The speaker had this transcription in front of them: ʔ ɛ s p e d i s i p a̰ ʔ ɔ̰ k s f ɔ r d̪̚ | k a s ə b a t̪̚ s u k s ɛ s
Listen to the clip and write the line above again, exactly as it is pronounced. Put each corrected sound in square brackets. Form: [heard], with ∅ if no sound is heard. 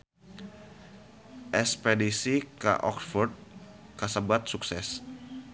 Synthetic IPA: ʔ ɛ s p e d i s i [k] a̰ ʔ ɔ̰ k s f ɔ r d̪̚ | k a s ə b a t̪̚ s u k s ɛ s

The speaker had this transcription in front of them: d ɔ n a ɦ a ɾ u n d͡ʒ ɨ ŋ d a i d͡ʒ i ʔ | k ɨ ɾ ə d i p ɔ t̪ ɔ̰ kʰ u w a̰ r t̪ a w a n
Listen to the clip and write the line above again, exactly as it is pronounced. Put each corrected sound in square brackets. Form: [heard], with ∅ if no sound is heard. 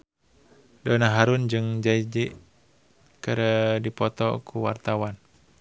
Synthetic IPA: d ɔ n a ɦ a ɾ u n d͡ʒ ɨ ŋ [d͡ʒ] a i d͡ʒ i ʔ | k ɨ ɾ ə d i p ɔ t̪ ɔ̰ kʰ u w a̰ r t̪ a w a n

